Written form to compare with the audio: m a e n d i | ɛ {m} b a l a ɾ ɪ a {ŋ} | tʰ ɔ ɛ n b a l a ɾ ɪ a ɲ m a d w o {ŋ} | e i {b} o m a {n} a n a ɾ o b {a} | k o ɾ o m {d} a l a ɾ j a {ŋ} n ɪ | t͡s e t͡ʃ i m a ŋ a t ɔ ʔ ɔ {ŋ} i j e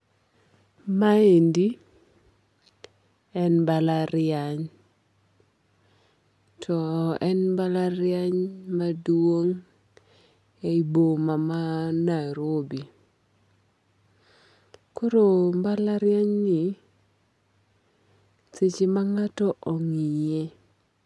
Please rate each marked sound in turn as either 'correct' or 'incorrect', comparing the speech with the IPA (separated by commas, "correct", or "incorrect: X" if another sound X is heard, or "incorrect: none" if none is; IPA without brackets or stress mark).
incorrect: n, incorrect: ɲ, correct, correct, incorrect: m, incorrect: i, incorrect: b, incorrect: ɲ, correct